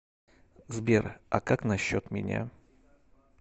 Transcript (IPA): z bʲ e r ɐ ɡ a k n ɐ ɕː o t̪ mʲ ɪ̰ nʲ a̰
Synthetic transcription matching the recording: z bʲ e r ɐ k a k n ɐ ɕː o t̪ mʲ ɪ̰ nʲ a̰

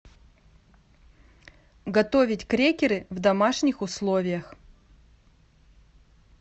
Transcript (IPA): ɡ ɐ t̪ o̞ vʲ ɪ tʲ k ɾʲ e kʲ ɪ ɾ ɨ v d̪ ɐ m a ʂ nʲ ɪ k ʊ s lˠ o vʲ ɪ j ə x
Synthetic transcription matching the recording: ɡ ɐ t̪ o̞ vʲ ɪ tʲ k ɾʲ e kʲ ɪ ɾ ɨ v d̪ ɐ m a ʂ nʲ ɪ x ʊ s lˠ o vʲ ɪ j ə x

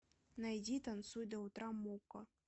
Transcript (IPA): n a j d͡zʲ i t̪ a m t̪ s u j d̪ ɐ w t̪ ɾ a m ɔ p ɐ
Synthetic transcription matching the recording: n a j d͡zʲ i t̪ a n t̪ s u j d̪ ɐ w t̪ ɾ a m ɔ k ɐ

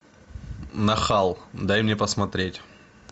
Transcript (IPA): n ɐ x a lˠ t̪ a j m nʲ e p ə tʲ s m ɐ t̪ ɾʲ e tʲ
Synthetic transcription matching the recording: n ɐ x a lˠ d̪ a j m nʲ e p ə s m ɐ t̪ ɾʲ e tʲ

